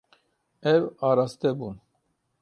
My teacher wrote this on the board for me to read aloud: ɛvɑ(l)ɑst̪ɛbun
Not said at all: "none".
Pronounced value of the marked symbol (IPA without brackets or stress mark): ɾ